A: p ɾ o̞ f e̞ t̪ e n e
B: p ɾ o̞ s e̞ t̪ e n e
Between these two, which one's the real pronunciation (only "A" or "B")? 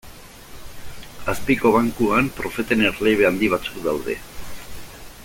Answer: A